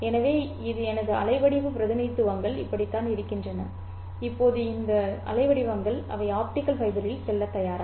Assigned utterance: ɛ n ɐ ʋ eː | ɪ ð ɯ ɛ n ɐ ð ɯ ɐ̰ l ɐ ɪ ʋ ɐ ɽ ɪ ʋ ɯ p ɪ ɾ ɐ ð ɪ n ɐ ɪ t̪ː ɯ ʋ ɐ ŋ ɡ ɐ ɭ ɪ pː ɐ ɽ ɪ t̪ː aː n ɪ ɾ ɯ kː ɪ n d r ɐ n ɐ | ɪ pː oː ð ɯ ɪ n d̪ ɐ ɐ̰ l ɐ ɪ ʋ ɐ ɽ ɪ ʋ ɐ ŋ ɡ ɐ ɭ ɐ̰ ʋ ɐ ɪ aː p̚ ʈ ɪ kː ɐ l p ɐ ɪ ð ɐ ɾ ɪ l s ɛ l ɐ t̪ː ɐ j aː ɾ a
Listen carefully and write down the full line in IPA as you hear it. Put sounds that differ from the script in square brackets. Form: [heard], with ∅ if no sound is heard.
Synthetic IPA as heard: ɛ n ɐ ʋ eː | ɪ ð ɯ ɛ n ɐ ð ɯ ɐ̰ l ɐ ɪ ʋ ɐ ɽ ɪ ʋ ɯ p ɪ ɾ ɐ ð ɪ n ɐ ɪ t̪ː ɯ ʋ ɐ ŋ ɡ ɐ ɭ ɪ pː ɐ ɽ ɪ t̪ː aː n ɪ ɾ ɯ kː ɪ n d r ɐ n ɐ | ɪ pː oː ð ɯ ɪ n d̪ ɐ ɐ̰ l ɐ ɪ ʋ ɐ ɽ ɪ ʋ ɐ ŋ ɡ ɐ ɭ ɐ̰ ʋ ɐ ɪ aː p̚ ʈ ɪ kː ɐ l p ɐ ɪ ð ɐ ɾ ɪ l s ɛ [lː] ɐ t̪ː ɐ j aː ɾ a